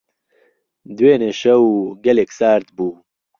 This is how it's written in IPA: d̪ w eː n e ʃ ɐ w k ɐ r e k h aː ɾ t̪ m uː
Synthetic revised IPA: d̪ w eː n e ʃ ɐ w ɡ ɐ l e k s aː ɾ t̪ b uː

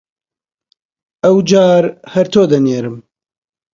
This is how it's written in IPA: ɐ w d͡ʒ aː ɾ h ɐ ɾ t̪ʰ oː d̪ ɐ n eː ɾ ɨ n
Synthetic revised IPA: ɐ w d͡ʒ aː ɾ h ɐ ɾ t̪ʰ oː d̪ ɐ n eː ɾ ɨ m

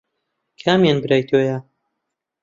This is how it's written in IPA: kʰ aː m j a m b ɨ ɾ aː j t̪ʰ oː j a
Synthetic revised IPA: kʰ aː m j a n b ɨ ɾ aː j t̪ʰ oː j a

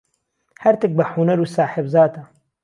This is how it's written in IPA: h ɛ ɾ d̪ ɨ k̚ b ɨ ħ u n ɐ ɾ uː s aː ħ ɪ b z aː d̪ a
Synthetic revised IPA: h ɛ ɾ t̪ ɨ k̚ b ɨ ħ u n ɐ ɾ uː s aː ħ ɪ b z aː t̪ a

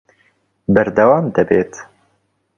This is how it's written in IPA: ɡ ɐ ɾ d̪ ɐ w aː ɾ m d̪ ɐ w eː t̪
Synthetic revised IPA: b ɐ ɾ d̪ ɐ w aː m d̪ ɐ b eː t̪

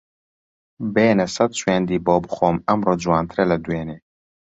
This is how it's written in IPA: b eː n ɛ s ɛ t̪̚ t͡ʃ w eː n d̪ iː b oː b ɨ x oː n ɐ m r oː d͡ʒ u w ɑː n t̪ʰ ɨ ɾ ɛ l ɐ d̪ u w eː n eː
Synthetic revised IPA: b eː n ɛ s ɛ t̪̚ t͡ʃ w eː n d̪ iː b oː b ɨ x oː m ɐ m r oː d͡ʒ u w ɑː n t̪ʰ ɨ ɾ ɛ l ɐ d̪ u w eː n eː

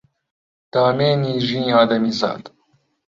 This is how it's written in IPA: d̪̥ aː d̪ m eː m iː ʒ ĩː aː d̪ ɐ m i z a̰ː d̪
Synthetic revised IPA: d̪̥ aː m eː n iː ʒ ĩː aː d̪ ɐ m i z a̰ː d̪

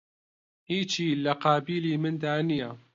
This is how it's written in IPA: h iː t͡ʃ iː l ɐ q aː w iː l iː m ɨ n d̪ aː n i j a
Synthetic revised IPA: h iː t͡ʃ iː l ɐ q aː b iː l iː m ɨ n d̪ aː n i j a

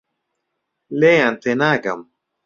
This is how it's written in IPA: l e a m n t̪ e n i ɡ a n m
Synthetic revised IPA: l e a n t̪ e n a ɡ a m

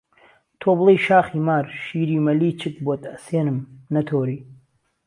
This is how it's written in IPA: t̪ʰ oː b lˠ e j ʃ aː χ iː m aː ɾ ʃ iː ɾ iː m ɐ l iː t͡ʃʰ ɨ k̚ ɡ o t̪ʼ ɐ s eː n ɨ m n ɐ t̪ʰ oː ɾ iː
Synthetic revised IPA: t̪ʰ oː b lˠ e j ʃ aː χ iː m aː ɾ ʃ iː ɾ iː m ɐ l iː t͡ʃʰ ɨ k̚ b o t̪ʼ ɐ s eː n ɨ m n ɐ t̪ʰ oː ɾ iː

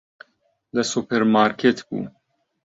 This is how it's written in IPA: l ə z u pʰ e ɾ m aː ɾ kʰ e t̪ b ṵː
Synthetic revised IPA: l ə s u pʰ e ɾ m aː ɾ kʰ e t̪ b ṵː

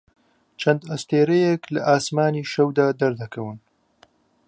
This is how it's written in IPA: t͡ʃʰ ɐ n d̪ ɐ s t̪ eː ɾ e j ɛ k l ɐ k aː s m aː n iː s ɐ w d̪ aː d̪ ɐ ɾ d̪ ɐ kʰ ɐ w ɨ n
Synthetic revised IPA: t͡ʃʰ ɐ n d̪ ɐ s t̪ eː ɾ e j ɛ k l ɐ ʔ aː s m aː n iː ʃ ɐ w d̪ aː d̪ ɐ ɾ d̪ ɐ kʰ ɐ w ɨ n

